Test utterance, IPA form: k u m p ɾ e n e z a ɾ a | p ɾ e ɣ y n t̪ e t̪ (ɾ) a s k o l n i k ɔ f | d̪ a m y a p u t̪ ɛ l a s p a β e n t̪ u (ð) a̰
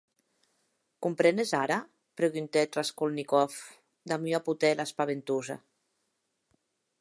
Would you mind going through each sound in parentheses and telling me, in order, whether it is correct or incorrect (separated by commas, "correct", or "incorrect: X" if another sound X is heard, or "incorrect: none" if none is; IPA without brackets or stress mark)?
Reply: incorrect: r, incorrect: z